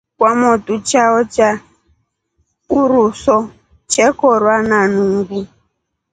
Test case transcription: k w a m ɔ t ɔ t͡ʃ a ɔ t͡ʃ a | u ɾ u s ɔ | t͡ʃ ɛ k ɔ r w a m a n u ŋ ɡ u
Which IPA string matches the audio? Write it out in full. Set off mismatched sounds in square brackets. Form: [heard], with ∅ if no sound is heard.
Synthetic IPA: k w a m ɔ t [u] t͡ʃ a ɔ t͡ʃ a | u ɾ u s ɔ | t͡ʃ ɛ k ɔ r w a [n] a n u ŋ ɡ u

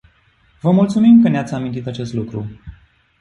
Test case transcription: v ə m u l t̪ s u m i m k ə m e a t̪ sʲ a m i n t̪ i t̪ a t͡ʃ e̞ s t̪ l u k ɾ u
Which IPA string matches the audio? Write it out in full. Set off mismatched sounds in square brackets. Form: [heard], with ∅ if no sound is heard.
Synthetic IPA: v ə m u l t̪ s u m i m k ə [n] e a t̪ sʲ a m i n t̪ i t̪ a t͡ʃ e̞ s t̪ l u k ɾ u

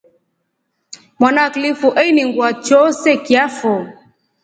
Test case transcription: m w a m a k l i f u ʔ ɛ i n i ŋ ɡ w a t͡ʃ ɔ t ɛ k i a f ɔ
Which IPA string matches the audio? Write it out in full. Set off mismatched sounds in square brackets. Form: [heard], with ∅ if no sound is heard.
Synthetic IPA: m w a [n] a k l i f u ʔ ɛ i n i ŋ ɡ w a t͡ʃ ɔ [s] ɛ k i a f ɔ

